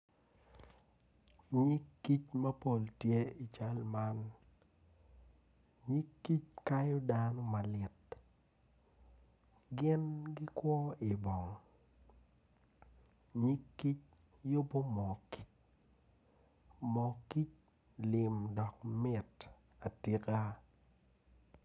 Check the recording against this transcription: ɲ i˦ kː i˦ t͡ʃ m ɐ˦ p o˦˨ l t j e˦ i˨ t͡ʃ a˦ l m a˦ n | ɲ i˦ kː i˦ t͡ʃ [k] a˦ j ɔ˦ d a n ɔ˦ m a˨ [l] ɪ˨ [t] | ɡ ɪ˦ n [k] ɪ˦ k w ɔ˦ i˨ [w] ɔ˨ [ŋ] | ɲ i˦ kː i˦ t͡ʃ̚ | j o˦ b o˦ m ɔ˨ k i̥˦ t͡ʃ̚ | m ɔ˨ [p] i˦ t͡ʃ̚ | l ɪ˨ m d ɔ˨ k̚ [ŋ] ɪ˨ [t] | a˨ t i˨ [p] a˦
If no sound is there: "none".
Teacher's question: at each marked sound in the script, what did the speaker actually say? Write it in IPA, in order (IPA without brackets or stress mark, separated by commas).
k, l, t, ɡ, b, ŋ, k, m, t, k